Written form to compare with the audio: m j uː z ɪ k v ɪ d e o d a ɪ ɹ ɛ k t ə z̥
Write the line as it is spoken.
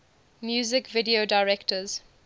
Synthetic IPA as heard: m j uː z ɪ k v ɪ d i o d a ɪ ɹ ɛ k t ə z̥